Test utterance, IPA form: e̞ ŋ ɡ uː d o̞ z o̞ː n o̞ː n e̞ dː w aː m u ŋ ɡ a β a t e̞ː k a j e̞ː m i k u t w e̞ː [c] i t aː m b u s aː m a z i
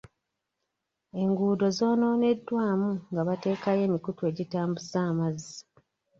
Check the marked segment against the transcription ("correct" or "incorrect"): incorrect